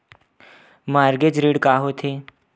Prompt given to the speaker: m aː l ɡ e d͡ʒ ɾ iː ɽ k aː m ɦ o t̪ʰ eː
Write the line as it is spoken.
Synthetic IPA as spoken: m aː ɾ ɡ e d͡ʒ ɾ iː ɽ k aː ɦ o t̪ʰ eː